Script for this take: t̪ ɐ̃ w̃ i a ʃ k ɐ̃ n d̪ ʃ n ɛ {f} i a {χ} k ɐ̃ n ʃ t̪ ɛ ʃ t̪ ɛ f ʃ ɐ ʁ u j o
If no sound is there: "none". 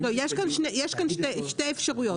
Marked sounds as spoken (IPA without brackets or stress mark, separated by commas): none, ʃ